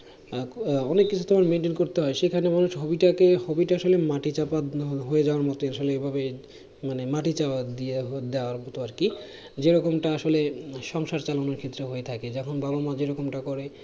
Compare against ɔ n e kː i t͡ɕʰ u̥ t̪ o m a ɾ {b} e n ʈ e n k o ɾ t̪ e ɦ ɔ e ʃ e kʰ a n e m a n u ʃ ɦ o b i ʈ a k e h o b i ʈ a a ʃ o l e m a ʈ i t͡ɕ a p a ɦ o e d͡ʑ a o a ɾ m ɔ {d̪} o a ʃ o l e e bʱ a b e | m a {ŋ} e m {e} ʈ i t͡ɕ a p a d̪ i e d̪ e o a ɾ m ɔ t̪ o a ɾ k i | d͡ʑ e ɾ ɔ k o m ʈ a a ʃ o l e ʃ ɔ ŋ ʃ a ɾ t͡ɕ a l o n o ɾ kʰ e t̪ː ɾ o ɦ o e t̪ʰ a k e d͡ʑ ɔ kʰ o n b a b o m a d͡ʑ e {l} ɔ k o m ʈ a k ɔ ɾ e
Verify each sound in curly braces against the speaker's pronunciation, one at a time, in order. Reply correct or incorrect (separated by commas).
incorrect, incorrect, incorrect, incorrect, incorrect